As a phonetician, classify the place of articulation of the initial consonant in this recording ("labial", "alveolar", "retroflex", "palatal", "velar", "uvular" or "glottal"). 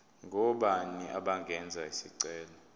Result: velar